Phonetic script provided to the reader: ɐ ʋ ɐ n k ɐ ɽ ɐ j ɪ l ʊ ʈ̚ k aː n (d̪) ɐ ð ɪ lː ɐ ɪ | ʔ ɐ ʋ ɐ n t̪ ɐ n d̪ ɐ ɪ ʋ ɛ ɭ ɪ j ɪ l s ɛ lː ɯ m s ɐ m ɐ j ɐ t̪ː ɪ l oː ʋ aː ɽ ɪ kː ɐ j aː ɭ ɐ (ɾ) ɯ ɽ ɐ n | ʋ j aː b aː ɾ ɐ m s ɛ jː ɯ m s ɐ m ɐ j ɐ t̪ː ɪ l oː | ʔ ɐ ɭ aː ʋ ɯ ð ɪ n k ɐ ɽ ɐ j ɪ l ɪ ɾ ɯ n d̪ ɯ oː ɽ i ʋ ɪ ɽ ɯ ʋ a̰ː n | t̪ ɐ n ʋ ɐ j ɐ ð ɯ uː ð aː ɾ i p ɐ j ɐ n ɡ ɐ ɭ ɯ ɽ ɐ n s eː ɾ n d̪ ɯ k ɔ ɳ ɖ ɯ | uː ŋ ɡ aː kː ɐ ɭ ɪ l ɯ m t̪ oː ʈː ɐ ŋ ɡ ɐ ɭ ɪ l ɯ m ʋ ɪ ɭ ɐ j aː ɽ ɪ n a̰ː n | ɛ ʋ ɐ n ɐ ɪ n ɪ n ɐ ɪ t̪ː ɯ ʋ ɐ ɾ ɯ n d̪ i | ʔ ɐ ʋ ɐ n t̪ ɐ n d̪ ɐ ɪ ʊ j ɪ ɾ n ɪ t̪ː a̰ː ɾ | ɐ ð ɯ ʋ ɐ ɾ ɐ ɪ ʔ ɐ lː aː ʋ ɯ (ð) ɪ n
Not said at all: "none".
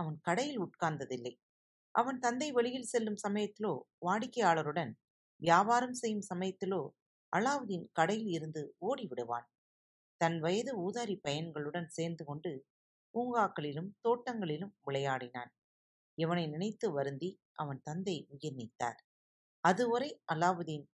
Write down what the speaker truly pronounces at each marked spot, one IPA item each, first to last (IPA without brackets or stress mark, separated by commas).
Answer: d̪, ɾ, ð